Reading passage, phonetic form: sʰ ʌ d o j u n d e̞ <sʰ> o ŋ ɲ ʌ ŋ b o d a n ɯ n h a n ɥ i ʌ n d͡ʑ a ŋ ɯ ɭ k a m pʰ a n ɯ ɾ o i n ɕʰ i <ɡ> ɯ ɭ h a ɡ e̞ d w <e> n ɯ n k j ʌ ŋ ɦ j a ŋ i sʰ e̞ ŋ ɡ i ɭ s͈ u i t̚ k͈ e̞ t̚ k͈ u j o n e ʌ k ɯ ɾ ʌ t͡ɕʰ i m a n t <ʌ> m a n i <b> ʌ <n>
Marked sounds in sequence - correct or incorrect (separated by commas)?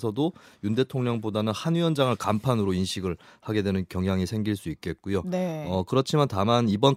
incorrect, correct, correct, incorrect, correct, correct